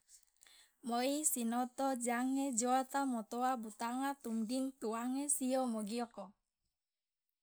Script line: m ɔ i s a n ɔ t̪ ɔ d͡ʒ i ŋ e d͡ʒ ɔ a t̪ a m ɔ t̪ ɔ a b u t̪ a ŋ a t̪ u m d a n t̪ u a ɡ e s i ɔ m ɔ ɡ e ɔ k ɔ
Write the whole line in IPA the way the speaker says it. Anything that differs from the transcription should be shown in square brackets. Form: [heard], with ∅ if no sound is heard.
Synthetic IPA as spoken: m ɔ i s [i] n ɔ t̪ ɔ d͡ʒ [a] ŋ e d͡ʒ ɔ a t̪ a m ɔ t̪ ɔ a b u t̪ a ŋ a t̪ u m d [i] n t̪ u a [ŋ] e s i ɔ m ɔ ɡ [i] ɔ k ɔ